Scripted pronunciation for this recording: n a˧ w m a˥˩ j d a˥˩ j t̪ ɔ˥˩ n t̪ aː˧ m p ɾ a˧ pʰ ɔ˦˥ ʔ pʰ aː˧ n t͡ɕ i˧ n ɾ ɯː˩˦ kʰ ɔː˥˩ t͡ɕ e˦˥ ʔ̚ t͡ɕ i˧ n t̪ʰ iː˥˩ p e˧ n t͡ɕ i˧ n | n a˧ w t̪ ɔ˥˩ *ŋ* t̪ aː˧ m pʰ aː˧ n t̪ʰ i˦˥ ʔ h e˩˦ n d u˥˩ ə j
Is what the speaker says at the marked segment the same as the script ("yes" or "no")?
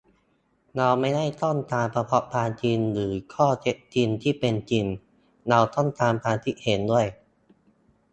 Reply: no